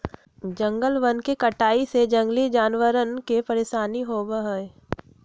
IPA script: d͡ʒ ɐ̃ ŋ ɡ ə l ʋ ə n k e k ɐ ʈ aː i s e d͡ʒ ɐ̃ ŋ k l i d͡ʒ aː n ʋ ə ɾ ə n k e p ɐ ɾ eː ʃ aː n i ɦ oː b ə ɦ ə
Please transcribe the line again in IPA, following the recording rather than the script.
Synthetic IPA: d͡ʒ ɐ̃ ŋ ɡ ə l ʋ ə n k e k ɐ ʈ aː i s e d͡ʒ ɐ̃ ŋ ɡ l i d͡ʒ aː n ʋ ə ɾ ə n k e p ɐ ɾ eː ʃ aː n i ɦ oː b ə ɦ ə

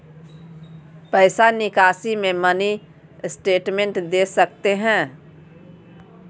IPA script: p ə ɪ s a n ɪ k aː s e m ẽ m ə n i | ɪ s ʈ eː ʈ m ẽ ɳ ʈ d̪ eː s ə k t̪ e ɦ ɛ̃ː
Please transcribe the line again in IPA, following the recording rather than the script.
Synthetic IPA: p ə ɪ s a n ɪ k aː s i m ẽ m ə n i | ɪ s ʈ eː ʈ m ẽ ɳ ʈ d̪ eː s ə k t̪ e ɦ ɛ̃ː

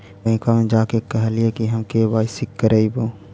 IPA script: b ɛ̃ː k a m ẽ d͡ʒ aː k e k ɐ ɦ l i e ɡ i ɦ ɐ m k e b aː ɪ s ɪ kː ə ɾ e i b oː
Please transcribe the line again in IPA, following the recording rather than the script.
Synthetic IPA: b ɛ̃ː k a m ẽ d͡ʒ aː k e k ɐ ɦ l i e k i ɦ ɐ m k e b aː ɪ s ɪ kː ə ɾ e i b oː

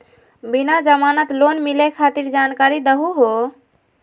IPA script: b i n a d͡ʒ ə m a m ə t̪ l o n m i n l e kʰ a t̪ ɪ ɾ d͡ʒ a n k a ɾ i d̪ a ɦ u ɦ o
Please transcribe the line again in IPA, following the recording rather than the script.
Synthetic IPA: b i n a d͡ʒ ə m a n ə t̪ l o n m i l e kʰ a t̪ i ɾ d͡ʒ a n k a ɾ i d̪ ə ɦ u ɦ o

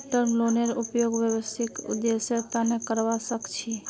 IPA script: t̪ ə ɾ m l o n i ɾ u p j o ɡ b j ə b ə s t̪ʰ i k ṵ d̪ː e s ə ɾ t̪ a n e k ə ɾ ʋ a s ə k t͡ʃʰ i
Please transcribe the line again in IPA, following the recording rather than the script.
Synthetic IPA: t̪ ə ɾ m l o n e ɾ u p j o ɡ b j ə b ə s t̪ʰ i k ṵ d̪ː e s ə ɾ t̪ a n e k ə ɾ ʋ a s ə k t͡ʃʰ i

